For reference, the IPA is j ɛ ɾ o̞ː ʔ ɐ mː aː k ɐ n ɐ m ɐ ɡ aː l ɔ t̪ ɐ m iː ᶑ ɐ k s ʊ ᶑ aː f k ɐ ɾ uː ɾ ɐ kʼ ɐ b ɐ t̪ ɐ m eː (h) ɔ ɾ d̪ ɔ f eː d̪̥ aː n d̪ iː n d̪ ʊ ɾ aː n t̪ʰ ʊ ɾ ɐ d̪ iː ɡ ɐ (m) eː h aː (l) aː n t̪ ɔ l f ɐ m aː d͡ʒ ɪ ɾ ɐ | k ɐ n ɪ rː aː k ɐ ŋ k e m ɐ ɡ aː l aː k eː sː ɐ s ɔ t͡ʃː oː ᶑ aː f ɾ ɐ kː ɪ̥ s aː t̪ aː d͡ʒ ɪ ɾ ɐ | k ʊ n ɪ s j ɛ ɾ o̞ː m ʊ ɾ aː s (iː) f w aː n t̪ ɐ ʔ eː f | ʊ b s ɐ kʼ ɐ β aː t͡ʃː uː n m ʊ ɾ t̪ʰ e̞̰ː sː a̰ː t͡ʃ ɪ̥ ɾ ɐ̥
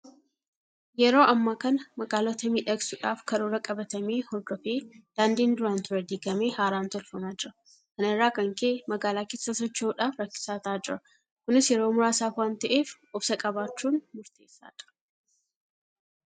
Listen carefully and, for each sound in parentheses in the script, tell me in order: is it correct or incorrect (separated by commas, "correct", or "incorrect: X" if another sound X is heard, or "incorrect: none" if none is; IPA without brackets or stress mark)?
correct, correct, incorrect: ɾ, incorrect: aː